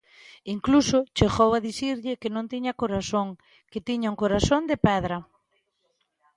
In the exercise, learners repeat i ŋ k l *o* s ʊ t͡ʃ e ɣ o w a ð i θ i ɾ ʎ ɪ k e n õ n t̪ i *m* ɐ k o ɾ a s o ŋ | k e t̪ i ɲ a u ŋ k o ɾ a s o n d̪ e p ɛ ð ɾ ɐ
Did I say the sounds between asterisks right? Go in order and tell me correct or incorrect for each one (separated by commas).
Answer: incorrect, incorrect